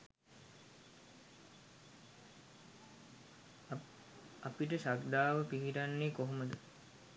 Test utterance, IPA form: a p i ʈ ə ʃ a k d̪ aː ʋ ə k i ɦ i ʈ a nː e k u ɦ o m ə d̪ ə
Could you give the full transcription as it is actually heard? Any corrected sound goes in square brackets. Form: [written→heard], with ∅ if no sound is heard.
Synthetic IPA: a p i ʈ ə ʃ a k d̪ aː ʋ ə [k→p] i ɦ i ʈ a nː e k [u→o] ɦ o m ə d̪ ə